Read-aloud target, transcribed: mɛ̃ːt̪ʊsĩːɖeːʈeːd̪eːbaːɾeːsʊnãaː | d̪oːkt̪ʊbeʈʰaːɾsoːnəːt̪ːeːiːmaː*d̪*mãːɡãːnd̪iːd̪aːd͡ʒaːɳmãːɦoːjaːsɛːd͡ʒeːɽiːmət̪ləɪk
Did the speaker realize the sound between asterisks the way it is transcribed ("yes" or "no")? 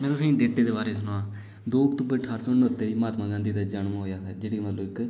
no